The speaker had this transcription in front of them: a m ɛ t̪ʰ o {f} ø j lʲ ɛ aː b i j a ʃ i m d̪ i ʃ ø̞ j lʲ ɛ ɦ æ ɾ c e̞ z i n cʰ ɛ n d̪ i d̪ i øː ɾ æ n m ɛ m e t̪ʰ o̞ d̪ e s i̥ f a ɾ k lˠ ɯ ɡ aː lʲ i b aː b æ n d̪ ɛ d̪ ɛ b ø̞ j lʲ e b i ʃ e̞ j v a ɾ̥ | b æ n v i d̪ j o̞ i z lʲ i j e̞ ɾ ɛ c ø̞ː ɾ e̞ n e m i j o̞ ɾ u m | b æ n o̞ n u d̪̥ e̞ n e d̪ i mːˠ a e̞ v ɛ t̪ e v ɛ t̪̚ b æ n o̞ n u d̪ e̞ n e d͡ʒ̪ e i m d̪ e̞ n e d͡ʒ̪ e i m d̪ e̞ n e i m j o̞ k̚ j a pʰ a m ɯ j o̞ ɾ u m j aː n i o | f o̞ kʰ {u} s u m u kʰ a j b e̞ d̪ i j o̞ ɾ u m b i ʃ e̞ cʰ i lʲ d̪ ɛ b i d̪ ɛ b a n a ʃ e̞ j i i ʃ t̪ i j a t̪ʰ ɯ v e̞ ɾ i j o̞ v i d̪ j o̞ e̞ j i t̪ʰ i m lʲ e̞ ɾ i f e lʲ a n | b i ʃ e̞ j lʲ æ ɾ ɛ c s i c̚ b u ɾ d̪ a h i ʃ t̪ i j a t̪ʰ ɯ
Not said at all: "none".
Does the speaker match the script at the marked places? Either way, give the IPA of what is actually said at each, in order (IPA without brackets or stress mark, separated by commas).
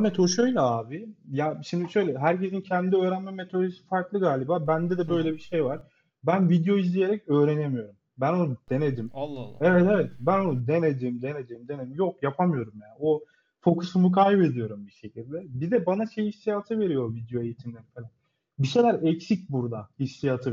ʃ, u